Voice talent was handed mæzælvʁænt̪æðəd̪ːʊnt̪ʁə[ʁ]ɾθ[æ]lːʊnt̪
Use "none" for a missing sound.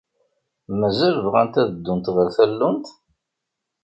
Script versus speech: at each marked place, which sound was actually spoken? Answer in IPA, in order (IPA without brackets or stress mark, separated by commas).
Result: none, æ